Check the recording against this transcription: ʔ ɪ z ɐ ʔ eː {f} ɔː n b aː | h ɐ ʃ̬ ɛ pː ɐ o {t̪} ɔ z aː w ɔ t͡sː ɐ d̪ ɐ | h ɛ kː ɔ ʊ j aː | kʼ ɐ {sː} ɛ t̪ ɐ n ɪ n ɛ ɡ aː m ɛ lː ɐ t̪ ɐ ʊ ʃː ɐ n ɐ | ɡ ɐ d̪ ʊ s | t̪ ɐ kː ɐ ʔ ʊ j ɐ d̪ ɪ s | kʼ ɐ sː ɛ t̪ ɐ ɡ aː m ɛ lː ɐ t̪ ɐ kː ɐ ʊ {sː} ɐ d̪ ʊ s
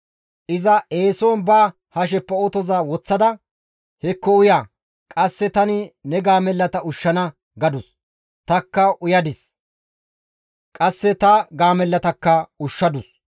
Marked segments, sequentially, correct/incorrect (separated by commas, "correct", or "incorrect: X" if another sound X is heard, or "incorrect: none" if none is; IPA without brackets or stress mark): incorrect: s, correct, correct, incorrect: ʃː